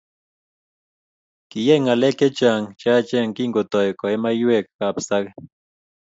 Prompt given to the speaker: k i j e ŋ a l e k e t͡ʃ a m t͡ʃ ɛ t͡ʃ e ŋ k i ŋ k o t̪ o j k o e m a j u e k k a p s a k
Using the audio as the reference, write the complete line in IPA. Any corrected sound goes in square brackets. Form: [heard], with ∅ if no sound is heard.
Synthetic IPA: k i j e ŋ a l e k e t͡ʃ a [ŋ] t͡ʃ [a] t͡ʃ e ŋ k i ŋ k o t̪ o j k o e m a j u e k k a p s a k